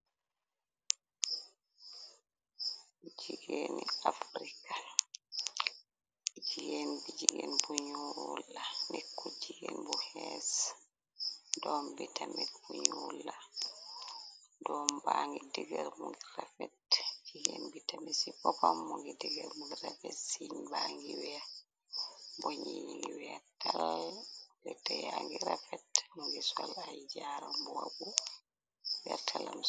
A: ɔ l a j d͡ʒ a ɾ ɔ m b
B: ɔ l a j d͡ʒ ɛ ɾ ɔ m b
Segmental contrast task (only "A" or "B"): A